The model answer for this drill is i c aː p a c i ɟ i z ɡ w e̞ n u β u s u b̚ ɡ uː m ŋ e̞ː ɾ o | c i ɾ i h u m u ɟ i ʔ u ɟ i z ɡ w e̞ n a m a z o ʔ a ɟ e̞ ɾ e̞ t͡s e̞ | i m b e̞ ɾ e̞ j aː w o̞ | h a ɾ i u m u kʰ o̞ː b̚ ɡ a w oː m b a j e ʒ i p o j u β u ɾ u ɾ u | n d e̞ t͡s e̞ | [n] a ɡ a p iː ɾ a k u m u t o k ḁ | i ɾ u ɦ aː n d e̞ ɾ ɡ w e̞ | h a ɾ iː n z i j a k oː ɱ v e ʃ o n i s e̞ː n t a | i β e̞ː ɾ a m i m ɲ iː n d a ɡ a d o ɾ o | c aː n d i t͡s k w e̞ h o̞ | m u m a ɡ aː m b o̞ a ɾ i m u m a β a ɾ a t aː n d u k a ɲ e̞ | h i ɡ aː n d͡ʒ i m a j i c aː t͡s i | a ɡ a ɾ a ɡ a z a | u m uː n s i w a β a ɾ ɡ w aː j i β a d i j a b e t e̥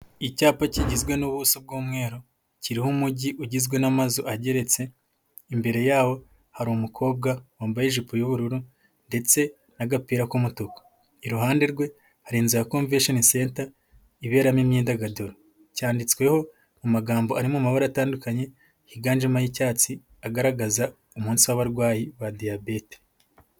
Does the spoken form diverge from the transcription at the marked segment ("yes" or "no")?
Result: no